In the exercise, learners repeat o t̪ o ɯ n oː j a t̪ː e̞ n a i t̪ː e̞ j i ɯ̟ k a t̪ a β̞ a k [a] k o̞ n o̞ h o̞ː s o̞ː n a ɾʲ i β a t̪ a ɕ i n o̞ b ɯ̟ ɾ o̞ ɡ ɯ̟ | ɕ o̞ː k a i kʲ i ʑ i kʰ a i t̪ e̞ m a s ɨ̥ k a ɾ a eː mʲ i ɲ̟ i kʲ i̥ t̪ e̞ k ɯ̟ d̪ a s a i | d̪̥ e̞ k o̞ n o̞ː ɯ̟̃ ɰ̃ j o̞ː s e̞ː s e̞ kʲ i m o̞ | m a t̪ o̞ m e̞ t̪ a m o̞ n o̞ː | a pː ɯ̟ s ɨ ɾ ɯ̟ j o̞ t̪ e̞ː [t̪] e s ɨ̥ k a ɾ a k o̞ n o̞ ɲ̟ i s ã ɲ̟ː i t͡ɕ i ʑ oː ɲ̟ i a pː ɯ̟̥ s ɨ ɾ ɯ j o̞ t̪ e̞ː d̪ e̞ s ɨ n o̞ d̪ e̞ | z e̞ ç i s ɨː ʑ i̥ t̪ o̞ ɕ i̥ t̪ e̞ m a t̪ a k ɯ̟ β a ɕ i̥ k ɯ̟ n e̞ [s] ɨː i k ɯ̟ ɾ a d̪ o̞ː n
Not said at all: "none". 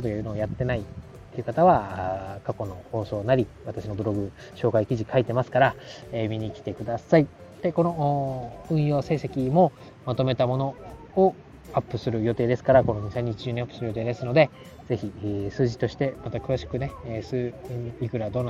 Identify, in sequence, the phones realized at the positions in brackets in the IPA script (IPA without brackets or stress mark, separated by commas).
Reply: a, d̪, s